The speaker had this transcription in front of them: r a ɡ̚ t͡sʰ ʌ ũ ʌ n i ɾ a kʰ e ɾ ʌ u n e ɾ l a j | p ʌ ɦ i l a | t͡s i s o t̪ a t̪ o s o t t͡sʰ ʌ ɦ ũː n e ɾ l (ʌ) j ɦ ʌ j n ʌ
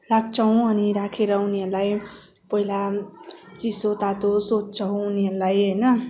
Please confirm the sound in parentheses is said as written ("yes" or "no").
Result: no